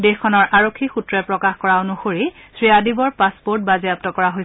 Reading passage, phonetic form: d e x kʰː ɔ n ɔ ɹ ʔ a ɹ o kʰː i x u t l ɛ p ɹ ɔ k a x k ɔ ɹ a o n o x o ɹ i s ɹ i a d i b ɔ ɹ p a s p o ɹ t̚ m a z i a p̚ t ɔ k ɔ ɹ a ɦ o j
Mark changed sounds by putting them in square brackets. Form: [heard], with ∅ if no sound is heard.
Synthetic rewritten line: d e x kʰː ɔ n ɔ ɹ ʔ a ɹ o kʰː i x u t [ɹ] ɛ p ɹ ɔ k a x k ɔ ɹ a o n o x o ɹ i s ɹ i a d i b ɔ ɹ p a s p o ɹ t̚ [b] a z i a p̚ t ɔ k ɔ ɹ a ɦ o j